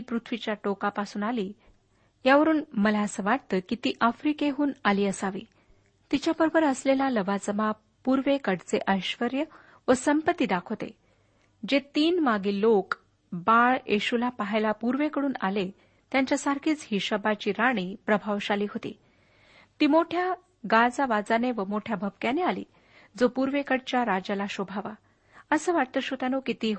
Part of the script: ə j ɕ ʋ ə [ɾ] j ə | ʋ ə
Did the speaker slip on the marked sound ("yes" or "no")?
no